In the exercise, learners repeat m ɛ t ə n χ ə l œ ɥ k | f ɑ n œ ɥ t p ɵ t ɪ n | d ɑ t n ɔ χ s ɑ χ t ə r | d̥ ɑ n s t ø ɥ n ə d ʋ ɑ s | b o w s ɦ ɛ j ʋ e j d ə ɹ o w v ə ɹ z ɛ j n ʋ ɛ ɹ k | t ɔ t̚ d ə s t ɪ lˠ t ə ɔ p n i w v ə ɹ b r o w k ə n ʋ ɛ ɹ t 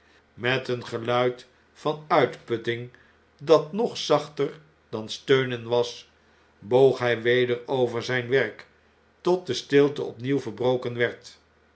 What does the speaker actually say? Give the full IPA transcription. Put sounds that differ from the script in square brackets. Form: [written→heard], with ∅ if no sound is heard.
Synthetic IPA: m ɛ t ə n χ ə l œ ɥ [k→t] | f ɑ n œ ɥ t p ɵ t ɪ [n→ŋ] | d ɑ t n ɔ χ s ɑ χ t ə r | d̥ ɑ n s t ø ɥ n ə [d→n] ʋ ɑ s | b o w [s→χ] ɦ ɛ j ʋ e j d ə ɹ o w v ə ɹ z ɛ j n ʋ ɛ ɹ k | t ɔ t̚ d ə s t ɪ lˠ t ə ɔ p n i w v ə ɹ b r o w k ə n ʋ ɛ ɹ t

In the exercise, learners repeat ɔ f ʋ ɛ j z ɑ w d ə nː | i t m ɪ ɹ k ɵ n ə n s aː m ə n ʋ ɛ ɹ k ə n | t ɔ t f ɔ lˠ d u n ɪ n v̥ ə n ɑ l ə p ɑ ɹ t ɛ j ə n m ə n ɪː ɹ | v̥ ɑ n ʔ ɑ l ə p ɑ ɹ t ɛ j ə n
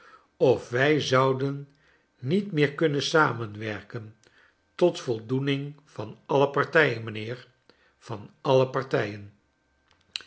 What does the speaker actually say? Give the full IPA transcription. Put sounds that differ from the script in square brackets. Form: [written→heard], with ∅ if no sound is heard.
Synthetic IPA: ɔ f ʋ ɛ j z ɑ w d ə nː | i t m [ɪ→ɪː] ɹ k ɵ n ə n s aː m ə n ʋ ɛ ɹ k ə n | t ɔ t f ɔ lˠ d u n ɪ [n→ŋ] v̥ [ə→ɑ] n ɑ l ə p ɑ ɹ t ɛ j ə n m ə n ɪː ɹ | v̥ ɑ n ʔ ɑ l ə p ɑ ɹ t ɛ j ə n

